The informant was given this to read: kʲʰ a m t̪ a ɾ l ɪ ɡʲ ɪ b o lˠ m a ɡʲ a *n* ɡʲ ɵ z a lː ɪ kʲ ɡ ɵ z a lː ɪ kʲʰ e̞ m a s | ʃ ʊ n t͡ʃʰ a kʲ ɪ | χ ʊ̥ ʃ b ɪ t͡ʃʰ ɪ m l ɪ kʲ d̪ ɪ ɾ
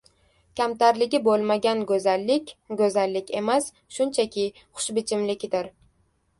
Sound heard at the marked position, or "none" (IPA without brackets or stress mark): n